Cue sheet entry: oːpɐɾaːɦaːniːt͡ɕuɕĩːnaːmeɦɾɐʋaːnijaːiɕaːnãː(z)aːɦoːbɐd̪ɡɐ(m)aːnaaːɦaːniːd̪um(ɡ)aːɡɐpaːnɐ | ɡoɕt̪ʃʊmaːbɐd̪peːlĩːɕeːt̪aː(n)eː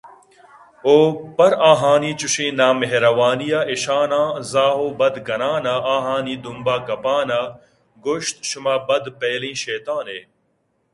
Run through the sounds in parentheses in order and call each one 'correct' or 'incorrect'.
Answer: correct, incorrect: n, incorrect: b, correct

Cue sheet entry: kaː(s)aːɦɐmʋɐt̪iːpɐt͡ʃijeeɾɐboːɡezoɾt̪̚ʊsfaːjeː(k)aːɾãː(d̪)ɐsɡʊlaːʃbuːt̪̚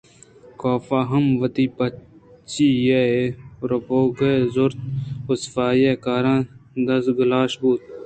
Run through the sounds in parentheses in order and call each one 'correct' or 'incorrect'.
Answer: incorrect: f, correct, correct

